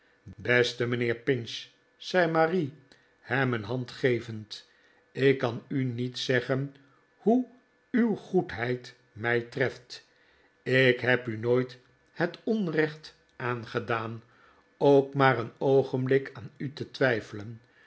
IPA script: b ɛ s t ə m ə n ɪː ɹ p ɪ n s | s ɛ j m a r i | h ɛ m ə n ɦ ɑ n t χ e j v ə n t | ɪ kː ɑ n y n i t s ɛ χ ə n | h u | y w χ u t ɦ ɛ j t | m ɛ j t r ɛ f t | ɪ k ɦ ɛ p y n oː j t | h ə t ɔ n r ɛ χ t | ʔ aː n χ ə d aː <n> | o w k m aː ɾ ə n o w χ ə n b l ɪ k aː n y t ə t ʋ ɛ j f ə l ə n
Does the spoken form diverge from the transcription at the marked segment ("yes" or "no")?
no